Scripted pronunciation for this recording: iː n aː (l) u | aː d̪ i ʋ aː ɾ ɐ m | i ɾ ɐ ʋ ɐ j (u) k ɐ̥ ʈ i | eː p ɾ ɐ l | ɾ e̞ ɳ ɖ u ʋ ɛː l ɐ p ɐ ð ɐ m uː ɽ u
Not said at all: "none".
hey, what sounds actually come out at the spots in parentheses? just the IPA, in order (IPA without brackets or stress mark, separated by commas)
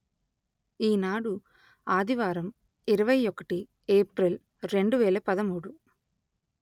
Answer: ɽ, ɔ